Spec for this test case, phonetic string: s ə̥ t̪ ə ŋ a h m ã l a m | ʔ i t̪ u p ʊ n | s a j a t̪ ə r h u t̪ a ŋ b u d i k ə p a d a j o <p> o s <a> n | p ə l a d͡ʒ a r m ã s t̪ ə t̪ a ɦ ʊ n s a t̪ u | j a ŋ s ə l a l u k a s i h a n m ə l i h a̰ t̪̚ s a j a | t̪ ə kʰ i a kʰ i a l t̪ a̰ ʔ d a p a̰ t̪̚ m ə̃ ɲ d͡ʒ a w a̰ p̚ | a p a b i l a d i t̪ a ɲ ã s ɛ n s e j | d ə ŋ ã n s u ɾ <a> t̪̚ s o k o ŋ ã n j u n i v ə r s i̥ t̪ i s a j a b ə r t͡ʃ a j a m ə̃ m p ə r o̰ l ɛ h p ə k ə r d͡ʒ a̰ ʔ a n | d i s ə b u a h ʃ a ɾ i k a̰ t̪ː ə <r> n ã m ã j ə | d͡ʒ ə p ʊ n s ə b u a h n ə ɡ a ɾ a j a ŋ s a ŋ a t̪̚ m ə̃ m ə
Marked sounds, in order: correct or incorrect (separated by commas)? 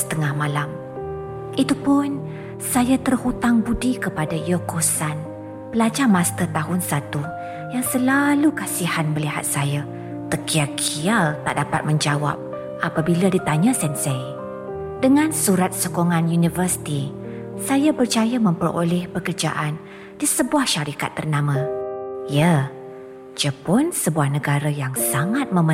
incorrect, correct, correct, correct